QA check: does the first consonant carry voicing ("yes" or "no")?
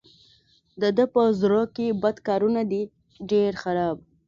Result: yes